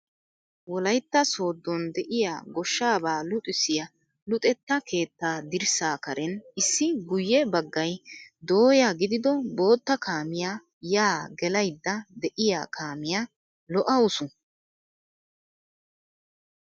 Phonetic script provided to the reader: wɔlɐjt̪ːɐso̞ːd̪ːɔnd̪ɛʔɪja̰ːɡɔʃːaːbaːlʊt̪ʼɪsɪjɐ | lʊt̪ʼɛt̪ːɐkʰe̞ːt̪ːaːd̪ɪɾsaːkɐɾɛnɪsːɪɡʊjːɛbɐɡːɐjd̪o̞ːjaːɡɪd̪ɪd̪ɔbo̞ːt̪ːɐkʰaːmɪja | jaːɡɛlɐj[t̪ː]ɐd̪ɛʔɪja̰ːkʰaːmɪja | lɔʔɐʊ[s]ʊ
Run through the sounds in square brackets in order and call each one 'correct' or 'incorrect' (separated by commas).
incorrect, correct